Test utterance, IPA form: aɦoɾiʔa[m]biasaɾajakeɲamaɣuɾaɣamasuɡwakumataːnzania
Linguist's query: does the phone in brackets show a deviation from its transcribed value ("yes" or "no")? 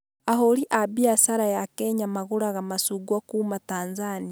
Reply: yes